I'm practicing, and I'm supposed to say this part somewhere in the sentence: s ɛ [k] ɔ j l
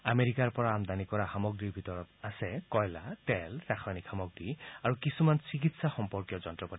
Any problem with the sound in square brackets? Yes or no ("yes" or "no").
no